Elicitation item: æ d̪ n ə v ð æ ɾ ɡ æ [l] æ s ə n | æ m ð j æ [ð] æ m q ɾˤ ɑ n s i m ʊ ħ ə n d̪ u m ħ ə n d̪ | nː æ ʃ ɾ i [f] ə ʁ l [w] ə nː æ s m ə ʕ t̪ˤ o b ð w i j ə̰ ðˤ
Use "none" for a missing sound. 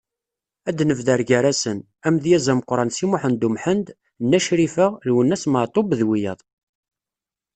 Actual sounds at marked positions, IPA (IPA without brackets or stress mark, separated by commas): ɾ, z, f, w